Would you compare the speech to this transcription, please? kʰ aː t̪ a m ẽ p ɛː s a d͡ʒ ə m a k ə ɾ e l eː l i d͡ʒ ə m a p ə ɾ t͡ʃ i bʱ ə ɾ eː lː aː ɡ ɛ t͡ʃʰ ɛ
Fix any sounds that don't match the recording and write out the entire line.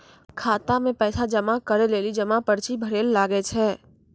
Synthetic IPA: kʰ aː t̪ a m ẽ p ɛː s a d͡ʒ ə m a k ə ɾ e l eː l i d͡ʒ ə m a p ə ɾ t͡ʃ i bʱ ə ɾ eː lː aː ɡ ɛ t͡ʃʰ ɛ

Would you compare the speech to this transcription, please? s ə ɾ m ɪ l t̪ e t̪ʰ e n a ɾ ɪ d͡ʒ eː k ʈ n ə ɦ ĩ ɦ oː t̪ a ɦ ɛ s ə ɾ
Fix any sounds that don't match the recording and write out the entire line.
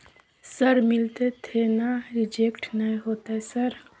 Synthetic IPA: s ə ɾ m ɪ l t̪ e t̪ʰ e n a ɾ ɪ d͡ʒ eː k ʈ n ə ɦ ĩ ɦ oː t̪ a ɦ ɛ s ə ɾ

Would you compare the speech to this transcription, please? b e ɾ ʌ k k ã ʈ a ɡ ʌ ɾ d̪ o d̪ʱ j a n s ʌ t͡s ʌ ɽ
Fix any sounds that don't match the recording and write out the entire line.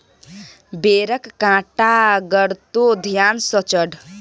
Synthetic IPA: b e ɾ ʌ k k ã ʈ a ɡ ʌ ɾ t̪ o d̪ʱ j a n s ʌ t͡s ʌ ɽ

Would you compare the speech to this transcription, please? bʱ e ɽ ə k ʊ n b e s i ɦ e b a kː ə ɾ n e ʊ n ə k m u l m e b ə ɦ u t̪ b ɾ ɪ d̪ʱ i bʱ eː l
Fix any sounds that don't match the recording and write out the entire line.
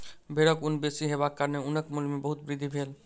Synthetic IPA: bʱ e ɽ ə k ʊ n b e s i ɦ e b a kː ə ɾ n e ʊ n ə k m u l m e b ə ɦ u t̪ b ɾ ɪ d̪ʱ i bʱ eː l

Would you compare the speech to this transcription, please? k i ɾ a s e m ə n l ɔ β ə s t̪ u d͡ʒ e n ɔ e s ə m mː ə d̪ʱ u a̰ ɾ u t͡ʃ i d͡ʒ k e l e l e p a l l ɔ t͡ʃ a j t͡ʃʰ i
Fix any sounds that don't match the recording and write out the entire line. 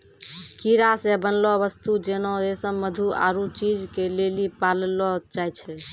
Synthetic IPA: k i ɾ a s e b ə n l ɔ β ə s t̪ u d͡ʒ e n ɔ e s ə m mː ə d̪ʱ u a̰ ɾ u t͡ʃ i d͡ʒ k e l e l i p a l l ɔ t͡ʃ a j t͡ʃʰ ɛ

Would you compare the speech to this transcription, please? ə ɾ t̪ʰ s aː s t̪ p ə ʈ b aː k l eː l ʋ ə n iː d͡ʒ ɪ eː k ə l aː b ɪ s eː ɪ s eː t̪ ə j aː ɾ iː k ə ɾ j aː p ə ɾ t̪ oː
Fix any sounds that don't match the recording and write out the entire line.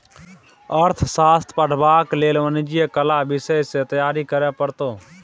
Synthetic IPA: ə ɾ t̪ʰ s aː s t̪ p ə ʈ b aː k l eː l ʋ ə n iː d͡ʒ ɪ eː k ə l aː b ɪ s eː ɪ s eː t̪ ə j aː ɾ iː k ə ɾ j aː p ə ɾ t̪ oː

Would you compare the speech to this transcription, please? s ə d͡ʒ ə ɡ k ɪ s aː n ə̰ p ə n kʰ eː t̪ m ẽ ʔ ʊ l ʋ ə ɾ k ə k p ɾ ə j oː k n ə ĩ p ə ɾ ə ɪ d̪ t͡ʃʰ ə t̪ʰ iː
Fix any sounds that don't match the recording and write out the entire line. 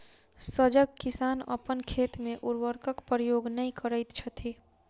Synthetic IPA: s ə d͡ʒ ə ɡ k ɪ s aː n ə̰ p ə n kʰ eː t̪ m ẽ ʔ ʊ ɾ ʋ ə ɾ k ə k p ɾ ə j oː ɡ n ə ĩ k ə ɾ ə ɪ t̪ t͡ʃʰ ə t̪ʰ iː

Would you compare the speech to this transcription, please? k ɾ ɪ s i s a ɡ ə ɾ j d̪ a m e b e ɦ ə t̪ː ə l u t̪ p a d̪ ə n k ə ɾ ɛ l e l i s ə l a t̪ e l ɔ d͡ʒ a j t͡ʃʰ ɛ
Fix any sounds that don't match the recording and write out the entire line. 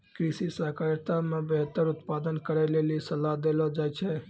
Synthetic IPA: k ɾ i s i s a k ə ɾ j t̪ a m e b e ɦ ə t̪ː ə ɾ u t̪ p a d̪ ə n k ə ɾ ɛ l e l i s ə l a d̪ e l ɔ d͡ʒ a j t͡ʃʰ ɛ

